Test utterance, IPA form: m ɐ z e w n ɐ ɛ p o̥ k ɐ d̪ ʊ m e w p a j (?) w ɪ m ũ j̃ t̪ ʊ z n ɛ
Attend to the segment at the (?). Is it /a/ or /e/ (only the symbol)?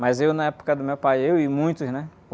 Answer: e